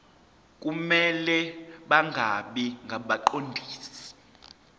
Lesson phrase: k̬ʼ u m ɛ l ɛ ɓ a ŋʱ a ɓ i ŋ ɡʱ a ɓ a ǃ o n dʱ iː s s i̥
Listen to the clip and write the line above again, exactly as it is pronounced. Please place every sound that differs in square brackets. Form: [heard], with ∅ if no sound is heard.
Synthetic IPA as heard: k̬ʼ u m ɛ l ɛ ɓ a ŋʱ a ɓ i ŋ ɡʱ a ɓ a ǃ o n dʱ iː s s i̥